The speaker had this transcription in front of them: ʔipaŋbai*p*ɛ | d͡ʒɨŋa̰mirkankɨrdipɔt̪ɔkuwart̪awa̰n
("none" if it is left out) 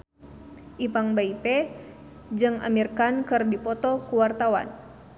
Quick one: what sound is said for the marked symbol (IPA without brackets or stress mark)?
p